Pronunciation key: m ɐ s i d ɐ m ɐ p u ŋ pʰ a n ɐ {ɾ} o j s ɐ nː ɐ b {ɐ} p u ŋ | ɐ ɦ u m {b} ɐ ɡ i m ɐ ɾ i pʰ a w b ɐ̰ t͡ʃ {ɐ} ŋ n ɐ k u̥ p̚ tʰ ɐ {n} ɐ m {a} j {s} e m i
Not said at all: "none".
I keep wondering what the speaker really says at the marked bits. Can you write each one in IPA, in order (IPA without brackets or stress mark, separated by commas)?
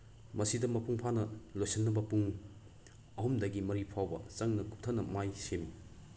l, ɐ, d, ɐ, n, a, s